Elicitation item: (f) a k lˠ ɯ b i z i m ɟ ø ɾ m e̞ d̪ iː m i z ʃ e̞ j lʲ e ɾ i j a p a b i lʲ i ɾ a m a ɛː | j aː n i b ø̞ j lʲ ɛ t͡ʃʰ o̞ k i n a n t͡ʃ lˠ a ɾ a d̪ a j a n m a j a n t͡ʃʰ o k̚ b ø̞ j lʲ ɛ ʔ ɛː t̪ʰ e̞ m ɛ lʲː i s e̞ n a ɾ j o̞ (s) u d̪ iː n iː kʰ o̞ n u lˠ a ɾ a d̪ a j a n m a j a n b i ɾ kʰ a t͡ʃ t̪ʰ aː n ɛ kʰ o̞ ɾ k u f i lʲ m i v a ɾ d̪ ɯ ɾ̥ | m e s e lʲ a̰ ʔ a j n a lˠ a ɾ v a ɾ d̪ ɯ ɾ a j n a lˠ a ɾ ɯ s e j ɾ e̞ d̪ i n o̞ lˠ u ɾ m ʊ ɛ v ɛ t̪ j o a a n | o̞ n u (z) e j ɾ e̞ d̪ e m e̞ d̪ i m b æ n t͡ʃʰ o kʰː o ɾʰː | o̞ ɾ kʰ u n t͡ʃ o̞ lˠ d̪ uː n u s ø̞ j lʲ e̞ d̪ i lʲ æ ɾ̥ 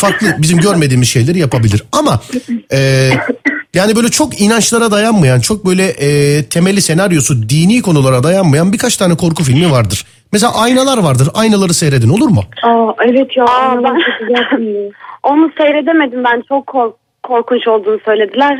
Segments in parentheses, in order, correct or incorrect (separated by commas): correct, correct, incorrect